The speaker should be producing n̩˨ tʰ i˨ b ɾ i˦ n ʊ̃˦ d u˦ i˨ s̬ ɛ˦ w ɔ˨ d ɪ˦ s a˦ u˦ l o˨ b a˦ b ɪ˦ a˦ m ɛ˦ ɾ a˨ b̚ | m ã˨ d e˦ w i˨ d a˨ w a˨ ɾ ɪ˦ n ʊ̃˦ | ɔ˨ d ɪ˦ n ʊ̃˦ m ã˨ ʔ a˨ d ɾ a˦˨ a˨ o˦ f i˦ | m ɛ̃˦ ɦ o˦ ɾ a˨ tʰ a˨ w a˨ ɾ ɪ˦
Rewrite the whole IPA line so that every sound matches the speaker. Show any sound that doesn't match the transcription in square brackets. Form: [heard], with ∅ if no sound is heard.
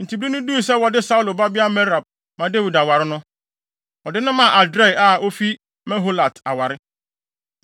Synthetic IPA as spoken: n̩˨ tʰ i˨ b ɾ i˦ n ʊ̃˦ d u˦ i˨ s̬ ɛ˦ w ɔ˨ d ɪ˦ s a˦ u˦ l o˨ b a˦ b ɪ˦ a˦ m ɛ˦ ɾ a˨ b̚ | m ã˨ d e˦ w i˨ d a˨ w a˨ ɾ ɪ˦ n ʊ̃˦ | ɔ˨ d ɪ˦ n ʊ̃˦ m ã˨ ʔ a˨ d ɾ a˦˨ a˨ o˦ f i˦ | m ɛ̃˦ ɦ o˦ [l] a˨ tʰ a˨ w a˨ ɾ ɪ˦

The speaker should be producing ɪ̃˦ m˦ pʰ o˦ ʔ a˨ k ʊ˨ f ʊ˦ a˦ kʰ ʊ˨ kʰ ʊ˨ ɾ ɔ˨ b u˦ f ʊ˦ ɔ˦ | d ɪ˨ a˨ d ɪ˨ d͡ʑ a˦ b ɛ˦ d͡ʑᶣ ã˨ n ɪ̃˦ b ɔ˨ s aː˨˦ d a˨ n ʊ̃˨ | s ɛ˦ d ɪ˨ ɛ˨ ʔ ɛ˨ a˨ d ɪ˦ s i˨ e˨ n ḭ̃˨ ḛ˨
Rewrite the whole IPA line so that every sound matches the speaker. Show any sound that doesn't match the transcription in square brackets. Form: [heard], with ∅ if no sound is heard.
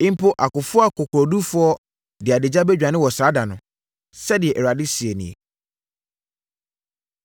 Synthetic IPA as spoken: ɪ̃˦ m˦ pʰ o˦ ʔ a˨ k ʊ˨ f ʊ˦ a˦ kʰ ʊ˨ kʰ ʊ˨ ɾ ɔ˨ [d] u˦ f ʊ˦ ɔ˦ | d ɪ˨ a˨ d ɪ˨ d͡ʑ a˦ b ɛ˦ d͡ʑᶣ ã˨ n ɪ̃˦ [w] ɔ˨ s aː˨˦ d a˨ n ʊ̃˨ | s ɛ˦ d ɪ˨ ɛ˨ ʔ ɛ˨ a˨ d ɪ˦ s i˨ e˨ n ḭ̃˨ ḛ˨

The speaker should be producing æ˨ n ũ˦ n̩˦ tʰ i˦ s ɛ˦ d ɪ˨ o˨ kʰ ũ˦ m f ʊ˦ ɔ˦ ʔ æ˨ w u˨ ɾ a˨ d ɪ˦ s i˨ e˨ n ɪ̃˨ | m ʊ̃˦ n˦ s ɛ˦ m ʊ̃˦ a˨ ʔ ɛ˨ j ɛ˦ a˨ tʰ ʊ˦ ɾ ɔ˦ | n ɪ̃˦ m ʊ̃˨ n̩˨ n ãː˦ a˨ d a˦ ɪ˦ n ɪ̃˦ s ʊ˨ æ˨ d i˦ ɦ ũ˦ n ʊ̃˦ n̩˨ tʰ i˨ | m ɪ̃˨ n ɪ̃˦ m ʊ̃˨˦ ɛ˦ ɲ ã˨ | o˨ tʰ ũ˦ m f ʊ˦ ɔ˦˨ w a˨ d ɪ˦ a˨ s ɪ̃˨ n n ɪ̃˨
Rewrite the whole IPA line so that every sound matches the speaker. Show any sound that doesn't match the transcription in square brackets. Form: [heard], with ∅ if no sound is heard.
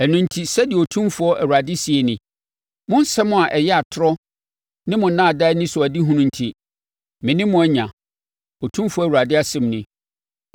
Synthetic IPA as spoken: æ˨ n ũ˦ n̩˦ tʰ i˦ s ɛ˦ d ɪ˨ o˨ [tʰ] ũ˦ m f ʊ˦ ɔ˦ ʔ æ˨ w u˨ ɾ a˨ d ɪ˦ s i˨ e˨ n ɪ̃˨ | m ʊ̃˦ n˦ s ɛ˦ m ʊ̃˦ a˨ ʔ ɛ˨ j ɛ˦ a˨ tʰ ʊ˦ ɾ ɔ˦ | n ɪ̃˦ m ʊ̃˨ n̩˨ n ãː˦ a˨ d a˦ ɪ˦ n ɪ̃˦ s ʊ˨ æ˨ d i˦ ɦ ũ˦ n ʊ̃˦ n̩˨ tʰ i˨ | m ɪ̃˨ n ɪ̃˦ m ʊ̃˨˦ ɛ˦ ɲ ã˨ | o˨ tʰ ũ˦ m f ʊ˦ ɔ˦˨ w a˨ d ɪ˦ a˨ s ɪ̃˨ [m] n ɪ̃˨

